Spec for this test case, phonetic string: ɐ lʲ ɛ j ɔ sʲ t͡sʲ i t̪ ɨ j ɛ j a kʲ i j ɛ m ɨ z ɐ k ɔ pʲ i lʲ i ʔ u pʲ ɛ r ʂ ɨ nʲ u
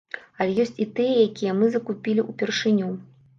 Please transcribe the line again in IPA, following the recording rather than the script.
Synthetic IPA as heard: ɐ lʲ ɛ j ɔ sʲ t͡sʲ i t̪ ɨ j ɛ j a kʲ i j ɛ m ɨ z ɐ k u pʲ i lʲ i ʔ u pʲ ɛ r ʂ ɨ nʲ u